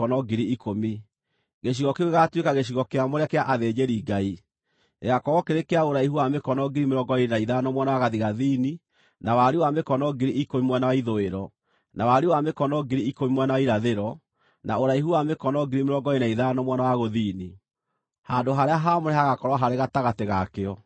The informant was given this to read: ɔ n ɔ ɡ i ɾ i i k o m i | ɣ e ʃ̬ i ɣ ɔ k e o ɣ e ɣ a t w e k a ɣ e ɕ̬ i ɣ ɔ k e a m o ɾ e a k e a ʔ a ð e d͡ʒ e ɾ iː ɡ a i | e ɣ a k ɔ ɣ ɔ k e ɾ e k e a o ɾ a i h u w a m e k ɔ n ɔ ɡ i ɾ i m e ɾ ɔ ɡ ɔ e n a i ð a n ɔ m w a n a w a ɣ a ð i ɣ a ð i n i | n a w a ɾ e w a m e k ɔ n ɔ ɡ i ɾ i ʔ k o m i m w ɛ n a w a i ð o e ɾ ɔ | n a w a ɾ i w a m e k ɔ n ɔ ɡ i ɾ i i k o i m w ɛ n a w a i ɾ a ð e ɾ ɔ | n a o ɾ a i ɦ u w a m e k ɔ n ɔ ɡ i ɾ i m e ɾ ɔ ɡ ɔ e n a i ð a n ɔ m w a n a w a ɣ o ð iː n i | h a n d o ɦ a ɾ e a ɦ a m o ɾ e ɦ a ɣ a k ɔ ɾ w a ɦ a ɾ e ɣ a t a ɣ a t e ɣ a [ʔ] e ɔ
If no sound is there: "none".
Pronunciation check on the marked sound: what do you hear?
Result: k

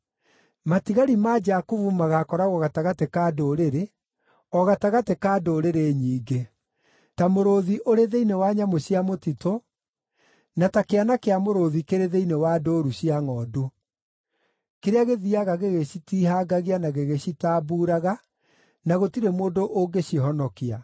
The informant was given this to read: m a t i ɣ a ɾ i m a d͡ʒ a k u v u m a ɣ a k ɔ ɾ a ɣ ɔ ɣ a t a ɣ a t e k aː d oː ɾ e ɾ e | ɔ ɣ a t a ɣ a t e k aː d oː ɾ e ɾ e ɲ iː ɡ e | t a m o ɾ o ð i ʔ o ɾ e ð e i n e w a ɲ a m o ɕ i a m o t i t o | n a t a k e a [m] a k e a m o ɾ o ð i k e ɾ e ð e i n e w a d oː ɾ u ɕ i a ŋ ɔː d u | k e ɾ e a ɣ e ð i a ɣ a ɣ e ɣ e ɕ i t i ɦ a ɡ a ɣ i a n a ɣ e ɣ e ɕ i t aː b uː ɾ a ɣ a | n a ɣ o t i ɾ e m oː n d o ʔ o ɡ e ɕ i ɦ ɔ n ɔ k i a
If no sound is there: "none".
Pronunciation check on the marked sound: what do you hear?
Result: n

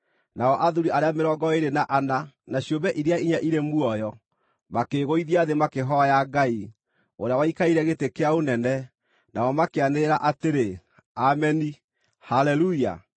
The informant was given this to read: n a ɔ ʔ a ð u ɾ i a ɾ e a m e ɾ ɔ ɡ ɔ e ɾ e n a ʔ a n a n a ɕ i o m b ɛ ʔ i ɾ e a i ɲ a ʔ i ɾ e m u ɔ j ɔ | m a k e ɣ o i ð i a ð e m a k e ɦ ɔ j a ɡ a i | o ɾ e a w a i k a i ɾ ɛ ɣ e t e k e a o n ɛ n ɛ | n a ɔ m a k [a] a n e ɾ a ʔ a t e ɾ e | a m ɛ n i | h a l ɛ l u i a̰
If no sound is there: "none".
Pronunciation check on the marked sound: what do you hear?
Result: e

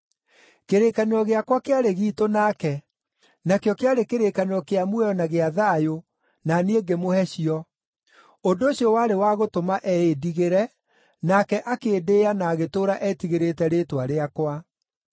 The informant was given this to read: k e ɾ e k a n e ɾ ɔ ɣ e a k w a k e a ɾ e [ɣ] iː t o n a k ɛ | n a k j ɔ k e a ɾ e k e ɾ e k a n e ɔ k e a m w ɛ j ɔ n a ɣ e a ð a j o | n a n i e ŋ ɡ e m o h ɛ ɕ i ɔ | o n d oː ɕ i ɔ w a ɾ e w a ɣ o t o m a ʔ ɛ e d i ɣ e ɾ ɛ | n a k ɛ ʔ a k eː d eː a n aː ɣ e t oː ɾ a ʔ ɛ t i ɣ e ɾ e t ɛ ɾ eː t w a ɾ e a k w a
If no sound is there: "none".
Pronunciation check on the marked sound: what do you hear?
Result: ɣ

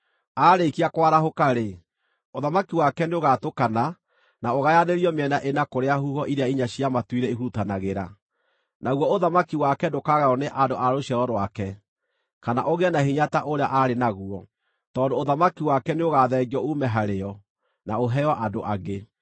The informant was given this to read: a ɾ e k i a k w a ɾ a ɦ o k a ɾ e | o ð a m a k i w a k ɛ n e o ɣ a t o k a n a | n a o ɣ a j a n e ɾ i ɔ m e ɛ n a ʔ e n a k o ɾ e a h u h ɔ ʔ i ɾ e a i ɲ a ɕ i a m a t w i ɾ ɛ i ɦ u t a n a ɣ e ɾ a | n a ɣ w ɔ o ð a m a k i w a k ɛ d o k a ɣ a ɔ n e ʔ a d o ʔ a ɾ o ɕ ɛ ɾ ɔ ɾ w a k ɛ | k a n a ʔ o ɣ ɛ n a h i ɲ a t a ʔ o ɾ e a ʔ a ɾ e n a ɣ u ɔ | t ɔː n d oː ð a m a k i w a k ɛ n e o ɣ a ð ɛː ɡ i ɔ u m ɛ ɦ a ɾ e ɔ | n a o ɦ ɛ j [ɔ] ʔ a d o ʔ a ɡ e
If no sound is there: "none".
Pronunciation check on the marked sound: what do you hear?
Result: ɔ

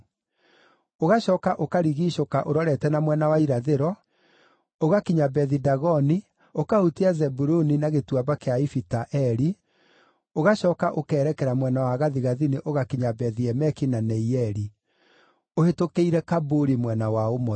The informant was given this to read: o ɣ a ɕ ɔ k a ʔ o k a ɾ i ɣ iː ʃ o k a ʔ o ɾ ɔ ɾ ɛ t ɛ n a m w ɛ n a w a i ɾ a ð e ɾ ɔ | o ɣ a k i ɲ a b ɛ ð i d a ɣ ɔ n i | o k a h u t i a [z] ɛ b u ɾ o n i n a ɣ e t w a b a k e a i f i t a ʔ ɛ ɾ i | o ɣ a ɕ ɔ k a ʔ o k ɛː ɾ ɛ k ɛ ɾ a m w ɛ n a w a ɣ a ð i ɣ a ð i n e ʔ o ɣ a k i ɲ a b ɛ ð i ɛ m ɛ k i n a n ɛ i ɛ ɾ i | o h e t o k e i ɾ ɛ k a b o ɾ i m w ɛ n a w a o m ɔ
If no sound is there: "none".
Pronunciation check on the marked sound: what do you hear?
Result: z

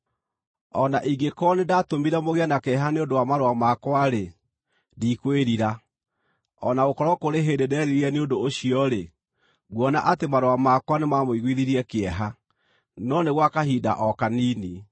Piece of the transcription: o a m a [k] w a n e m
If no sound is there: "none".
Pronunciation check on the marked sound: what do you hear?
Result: k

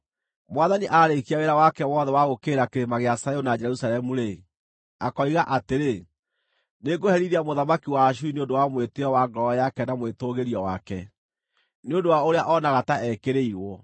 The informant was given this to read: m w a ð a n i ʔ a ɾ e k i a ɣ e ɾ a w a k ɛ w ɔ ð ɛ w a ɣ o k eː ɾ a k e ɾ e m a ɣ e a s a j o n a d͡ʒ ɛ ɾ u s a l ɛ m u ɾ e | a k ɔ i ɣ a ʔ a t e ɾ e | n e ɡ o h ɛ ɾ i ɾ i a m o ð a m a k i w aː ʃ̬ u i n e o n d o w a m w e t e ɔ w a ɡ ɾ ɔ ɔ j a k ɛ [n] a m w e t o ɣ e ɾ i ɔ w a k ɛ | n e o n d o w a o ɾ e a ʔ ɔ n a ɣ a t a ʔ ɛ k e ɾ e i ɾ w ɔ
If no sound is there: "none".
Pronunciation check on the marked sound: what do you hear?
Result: n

